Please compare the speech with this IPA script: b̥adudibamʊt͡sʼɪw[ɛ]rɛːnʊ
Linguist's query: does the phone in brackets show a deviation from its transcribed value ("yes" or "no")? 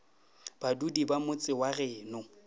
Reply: yes